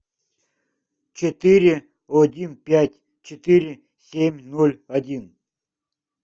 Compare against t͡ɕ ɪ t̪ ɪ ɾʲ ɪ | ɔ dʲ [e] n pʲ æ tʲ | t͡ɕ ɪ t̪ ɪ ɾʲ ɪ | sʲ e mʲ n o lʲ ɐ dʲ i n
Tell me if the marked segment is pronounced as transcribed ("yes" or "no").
no